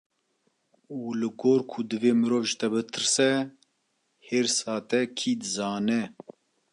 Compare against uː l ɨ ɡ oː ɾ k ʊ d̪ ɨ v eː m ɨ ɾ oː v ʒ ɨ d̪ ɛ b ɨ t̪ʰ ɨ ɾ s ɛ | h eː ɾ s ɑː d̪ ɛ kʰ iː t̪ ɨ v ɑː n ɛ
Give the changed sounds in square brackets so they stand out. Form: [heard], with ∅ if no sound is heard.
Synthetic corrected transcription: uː l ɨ ɡ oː ɾ [kʰ] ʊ d̪ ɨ v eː m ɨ ɾ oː v ʒ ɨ [t̪] ɛ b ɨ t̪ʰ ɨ ɾ s ɛ | h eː ɾ s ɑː [t̪] ɛ kʰ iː [d̪] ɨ [z] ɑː n ɛ